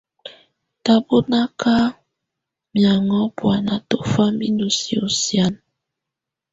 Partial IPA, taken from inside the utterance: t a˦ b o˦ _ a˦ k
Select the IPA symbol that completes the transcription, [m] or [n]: n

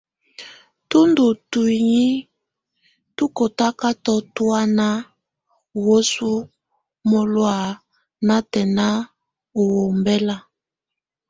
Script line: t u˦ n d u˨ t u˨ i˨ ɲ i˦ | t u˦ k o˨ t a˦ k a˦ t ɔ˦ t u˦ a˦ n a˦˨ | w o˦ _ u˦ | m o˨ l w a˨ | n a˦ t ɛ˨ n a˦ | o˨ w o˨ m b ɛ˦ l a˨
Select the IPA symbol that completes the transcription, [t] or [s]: s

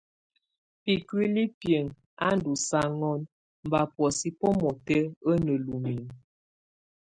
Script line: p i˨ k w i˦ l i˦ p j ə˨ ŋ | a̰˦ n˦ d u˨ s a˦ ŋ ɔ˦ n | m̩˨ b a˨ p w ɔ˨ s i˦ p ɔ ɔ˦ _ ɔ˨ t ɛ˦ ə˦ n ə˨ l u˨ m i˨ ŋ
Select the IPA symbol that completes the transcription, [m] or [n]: m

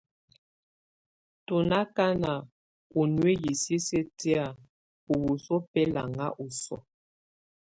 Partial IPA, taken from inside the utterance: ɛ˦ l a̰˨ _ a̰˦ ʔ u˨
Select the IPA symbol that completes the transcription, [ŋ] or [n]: ŋ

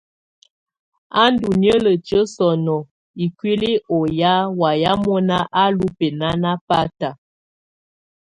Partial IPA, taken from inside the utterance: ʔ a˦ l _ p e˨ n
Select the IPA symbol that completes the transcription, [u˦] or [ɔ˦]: u˦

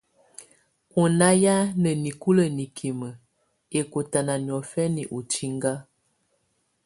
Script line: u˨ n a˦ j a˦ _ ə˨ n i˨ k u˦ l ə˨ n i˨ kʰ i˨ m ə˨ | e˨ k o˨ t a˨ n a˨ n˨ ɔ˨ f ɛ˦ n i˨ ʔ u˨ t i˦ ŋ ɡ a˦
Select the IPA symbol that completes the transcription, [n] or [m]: n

